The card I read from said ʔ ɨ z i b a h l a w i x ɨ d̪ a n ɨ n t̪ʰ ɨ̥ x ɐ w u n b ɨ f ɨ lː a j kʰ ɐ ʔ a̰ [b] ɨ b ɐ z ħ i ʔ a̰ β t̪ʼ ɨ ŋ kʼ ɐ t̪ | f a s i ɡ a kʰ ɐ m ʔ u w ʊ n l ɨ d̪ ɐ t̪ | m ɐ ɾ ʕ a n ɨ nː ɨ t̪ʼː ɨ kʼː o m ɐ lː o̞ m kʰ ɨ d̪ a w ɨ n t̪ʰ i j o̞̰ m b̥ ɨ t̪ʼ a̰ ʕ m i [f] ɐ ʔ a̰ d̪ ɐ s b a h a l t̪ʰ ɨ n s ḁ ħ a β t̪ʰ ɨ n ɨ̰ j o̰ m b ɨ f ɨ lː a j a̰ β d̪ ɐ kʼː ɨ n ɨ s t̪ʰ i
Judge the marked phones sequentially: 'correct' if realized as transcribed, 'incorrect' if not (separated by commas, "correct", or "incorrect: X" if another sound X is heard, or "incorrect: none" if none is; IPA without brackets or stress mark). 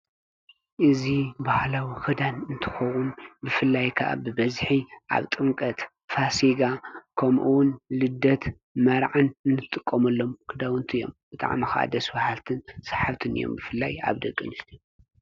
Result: correct, incorrect: x